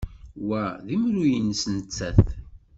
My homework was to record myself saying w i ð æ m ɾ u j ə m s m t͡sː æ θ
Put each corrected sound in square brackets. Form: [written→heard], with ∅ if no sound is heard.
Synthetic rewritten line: w [i→æ] ð [æ→i] m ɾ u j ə [m→n] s [m→n] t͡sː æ θ